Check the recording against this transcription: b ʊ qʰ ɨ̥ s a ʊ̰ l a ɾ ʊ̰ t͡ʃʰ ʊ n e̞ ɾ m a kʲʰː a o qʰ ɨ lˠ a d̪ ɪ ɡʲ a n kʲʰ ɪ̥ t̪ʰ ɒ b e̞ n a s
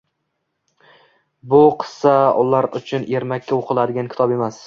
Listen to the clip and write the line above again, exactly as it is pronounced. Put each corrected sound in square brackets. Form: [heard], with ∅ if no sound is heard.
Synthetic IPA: b ʊ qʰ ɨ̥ s a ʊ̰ l a ɾ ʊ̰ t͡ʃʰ ʊ n e̞ ɾ m a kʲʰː a o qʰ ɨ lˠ a d̪ ɪ ɡʲ a n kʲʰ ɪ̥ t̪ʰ ɒ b e̞ [m] a s

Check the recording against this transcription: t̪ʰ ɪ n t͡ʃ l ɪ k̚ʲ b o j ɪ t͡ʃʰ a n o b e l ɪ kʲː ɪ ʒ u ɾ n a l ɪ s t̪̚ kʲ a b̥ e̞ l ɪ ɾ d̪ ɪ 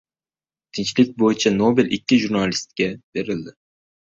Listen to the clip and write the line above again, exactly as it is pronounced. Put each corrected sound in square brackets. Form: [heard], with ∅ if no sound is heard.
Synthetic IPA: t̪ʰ ɪ n t͡ʃ l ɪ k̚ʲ b o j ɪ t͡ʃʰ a n o b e l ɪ kʲː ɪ ʒ u ɾ n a l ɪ s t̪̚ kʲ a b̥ e̞ [ɾ] ɪ [l] d̪ ɪ

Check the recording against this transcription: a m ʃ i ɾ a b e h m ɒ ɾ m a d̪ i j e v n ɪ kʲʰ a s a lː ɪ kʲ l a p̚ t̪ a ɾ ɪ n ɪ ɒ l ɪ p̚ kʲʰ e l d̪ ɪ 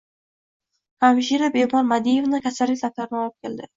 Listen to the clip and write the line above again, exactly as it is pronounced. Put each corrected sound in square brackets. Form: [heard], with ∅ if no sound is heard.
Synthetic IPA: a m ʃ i ɾ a b e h m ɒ ɾ m a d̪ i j e v n ɪ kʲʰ a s a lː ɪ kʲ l a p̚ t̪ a ɾ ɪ n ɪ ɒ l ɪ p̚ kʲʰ e l d̪ ɪ

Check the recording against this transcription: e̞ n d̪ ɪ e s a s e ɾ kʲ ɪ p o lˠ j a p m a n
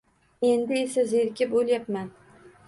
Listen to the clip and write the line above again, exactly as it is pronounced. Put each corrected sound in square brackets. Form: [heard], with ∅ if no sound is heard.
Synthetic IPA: e̞ n d̪ ɪ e s a [z] e ɾ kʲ ɪ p o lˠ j a p m a n

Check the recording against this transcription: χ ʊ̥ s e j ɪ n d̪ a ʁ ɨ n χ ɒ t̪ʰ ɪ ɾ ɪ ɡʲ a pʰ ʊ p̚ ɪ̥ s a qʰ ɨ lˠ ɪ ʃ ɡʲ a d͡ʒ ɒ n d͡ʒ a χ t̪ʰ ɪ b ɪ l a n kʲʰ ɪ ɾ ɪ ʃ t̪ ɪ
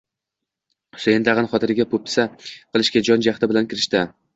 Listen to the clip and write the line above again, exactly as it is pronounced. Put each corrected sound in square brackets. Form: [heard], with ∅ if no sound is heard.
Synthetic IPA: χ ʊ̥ s e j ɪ n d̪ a ʁ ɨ n χ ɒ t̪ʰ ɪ ɾ ɪ ɡʲ a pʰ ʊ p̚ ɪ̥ s a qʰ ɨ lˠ ɪ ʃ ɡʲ a d͡ʒ ɒ n d͡ʒ a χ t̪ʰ ɪ b ɪ l a n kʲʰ ɪ ɾ ɪ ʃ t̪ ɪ

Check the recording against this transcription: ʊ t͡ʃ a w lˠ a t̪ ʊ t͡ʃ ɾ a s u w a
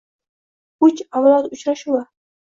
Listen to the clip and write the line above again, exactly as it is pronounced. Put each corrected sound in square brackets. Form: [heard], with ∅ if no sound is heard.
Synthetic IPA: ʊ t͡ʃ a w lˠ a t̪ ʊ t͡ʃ ɾ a [ʃ] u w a

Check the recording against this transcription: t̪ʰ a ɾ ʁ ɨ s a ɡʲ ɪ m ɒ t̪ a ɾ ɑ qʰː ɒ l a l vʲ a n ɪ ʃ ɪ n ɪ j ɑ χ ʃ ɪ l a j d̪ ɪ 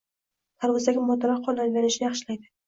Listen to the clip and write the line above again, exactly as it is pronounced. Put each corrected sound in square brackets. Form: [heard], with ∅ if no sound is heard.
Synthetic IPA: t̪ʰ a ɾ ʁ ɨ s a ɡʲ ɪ m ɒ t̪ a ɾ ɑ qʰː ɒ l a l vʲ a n ɪ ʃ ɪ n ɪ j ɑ χ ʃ ɪ l a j d̪ ɪ

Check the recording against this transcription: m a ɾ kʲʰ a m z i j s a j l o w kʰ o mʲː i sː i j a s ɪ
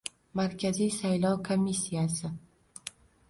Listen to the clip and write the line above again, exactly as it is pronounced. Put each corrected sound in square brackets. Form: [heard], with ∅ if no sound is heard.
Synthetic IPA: m a ɾ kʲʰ a [∅] z i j s a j l [ɒ] w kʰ o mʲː i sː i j a s ɪ

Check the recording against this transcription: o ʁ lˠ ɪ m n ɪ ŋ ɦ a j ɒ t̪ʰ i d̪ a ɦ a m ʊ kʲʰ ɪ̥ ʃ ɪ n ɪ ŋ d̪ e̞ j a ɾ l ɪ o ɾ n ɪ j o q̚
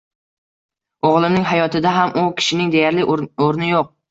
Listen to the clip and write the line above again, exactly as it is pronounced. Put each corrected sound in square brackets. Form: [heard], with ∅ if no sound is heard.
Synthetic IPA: o ʁ lˠ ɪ m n ɪ ŋ ɦ a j ɒ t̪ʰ [ɪ] d̪ a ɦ a m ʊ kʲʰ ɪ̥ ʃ ɪ n ɪ ŋ d̪ e̞ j a ɾ l ɪ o ɾ n ɪ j o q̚

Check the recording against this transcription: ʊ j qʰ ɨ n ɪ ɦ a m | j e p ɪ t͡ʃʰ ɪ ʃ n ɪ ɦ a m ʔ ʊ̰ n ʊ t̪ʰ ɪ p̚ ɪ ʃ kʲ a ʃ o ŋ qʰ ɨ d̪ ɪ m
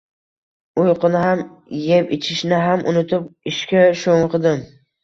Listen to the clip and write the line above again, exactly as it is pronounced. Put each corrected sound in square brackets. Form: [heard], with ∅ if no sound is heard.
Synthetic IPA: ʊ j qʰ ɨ n ɪ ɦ a m | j e p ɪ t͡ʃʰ ɪ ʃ n ɪ ɦ a m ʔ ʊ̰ n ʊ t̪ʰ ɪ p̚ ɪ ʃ kʲ a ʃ o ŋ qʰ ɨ d̪ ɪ m

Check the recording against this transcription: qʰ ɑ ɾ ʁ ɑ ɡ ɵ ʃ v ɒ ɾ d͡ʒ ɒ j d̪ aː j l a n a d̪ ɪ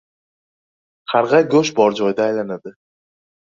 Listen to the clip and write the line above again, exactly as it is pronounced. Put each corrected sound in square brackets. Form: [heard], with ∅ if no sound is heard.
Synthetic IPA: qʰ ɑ ɾ ʁ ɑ ɡ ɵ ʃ [b] ɒ ɾ d͡ʒ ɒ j d̪ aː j l a n a d̪ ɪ

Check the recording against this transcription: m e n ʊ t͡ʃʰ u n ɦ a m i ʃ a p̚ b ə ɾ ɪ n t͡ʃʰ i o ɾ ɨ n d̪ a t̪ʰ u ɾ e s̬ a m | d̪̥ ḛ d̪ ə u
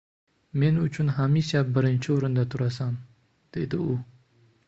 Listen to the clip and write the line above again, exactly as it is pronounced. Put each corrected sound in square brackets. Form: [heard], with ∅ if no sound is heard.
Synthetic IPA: m e n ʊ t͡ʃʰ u n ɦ a m i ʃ a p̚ b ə ɾ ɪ n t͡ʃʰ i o ɾ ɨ n d̪ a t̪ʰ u ɾ [a] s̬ a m | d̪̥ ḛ d̪ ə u

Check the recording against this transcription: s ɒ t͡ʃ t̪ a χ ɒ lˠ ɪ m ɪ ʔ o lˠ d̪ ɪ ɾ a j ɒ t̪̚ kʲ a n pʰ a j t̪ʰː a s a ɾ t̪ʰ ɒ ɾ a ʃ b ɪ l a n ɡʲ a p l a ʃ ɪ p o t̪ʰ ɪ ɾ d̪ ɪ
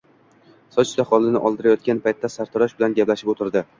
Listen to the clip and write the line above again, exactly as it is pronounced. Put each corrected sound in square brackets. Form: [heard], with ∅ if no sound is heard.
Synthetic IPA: s ɒ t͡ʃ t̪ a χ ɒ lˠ ɪ [n] ɪ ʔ [ɒ] lˠ d̪ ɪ ɾ a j ɒ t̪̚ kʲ a n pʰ a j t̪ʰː a s a ɾ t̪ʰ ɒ ɾ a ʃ b ɪ l a n ɡʲ a p l a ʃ ɪ p o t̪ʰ ɪ ɾ d̪ ɪ

